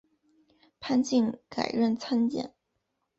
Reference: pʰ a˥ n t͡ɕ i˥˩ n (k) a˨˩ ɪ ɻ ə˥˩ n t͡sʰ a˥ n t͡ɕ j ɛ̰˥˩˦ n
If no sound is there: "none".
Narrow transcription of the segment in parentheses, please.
k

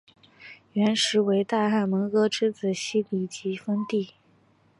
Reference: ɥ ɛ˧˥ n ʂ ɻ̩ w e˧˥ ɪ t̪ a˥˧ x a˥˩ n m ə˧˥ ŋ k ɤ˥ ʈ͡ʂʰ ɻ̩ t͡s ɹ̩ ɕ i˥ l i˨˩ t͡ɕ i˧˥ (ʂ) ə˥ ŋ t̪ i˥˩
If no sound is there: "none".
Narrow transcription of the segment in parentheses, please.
f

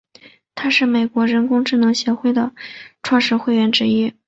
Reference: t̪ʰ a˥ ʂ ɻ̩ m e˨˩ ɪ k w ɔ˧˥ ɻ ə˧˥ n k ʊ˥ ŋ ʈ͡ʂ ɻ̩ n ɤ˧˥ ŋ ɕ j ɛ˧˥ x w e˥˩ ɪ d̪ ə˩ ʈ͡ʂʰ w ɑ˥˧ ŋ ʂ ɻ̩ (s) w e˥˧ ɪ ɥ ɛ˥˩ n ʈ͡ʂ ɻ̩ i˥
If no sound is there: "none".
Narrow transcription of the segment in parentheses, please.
x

